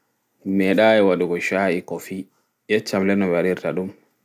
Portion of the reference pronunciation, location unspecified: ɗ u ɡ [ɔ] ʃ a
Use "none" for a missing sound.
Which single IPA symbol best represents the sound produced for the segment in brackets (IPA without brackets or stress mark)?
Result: ɔ